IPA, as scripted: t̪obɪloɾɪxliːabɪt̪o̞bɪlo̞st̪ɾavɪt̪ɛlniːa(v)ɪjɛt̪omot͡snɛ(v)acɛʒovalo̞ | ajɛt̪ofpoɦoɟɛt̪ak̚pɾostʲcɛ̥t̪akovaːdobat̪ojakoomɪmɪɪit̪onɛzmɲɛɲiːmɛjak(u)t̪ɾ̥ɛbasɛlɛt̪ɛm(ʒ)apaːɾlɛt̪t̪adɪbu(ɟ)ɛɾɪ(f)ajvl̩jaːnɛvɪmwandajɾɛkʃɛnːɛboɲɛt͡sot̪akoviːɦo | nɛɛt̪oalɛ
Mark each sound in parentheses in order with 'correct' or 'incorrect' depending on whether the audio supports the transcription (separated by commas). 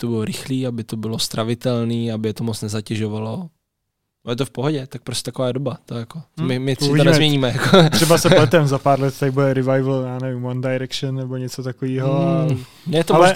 incorrect, incorrect, incorrect, incorrect, incorrect, incorrect